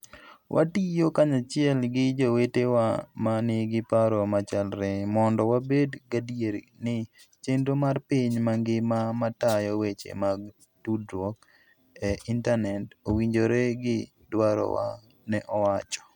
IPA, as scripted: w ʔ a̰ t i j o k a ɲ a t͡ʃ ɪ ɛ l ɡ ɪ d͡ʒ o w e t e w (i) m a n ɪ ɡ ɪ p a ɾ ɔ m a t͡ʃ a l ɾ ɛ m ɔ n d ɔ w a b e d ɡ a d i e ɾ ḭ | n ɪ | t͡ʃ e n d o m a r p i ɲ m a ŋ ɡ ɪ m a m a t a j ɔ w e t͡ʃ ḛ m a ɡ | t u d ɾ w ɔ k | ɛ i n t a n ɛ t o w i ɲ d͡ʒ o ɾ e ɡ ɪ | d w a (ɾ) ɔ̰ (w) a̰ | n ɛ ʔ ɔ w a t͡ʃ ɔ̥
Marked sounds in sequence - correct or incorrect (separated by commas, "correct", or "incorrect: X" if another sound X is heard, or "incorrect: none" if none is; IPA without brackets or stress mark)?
incorrect: a, correct, correct